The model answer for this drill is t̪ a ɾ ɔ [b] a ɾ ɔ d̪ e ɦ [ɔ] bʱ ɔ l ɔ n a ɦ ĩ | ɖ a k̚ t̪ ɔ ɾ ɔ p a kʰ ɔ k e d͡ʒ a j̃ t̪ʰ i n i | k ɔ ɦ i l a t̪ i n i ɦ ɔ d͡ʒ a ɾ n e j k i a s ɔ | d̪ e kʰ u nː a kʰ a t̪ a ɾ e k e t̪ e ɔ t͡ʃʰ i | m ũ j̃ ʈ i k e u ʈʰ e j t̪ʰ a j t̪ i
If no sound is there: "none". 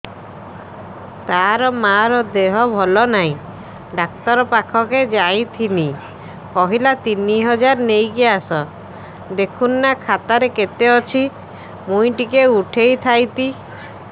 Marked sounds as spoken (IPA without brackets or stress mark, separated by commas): m, ɔ